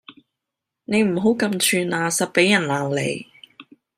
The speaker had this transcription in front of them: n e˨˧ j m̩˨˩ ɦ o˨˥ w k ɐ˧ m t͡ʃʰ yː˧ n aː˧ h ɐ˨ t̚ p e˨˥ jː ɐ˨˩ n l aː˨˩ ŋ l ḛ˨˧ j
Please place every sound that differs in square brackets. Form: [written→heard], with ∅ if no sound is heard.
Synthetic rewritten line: n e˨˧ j m̩˨˩ ɦ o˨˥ w k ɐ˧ m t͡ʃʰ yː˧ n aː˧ [h→s] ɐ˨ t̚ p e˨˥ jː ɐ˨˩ n l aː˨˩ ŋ l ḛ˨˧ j